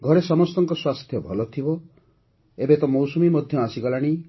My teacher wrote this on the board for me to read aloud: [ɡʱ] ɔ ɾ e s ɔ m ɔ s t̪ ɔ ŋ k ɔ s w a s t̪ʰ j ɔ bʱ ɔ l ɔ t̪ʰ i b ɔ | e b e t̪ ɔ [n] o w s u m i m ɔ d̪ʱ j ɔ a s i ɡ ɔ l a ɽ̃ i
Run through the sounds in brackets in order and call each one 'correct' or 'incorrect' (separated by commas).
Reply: correct, incorrect